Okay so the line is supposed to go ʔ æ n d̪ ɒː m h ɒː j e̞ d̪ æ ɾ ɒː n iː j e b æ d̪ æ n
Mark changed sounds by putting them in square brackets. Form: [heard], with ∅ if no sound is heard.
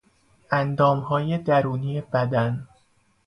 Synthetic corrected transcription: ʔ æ n d̪ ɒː m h ɒː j e̞ d̪ æ ɾ [uː] n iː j e b æ d̪ æ n